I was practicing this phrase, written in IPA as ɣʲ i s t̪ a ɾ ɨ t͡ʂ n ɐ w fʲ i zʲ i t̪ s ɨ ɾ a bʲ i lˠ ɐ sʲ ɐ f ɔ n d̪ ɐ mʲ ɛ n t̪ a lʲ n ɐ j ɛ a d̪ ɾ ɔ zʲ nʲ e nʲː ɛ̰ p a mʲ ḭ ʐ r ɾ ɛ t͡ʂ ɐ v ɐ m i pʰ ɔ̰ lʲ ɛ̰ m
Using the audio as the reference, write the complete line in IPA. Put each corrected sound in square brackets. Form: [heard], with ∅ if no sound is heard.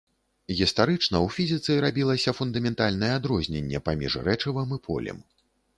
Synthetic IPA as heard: ɣʲ i s t̪ a ɾ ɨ t͡ʂ n ɐ w fʲ i zʲ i t̪ s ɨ ɾ a bʲ i lˠ ɐ sʲ ɐ f [u] n d̪ ɐ mʲ ɛ n t̪ a lʲ n ɐ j ɛ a d̪ ɾ ɔ zʲ nʲ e nʲː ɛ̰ p a mʲ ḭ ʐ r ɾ ɛ t͡ʂ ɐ v ɐ m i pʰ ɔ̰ lʲ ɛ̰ m